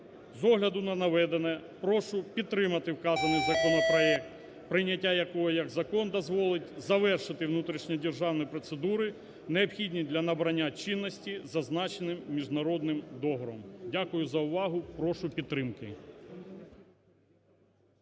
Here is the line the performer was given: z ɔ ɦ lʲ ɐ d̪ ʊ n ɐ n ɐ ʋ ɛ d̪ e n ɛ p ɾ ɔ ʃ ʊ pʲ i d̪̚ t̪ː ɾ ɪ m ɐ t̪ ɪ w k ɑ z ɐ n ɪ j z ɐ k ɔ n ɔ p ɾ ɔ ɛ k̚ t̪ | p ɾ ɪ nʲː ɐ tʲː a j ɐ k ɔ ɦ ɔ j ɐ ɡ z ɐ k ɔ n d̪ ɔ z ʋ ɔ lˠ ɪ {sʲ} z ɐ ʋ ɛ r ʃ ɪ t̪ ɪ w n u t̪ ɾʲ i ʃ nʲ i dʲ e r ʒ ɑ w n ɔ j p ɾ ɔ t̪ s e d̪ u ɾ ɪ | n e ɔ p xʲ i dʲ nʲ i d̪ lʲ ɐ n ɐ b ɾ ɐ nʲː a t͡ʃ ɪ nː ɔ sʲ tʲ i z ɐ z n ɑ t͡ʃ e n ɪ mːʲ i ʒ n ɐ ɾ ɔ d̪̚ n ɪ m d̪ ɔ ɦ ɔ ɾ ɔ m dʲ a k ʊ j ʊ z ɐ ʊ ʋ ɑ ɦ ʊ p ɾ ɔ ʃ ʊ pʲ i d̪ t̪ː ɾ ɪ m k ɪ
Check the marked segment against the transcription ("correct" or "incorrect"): incorrect